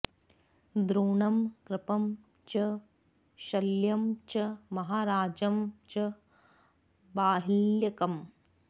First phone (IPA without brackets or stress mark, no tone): d̪